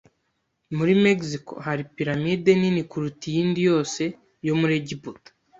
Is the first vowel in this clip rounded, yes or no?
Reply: yes